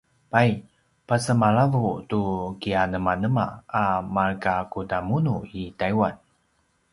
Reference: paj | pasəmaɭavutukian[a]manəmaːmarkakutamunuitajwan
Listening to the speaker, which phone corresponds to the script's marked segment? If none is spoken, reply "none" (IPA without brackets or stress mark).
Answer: ə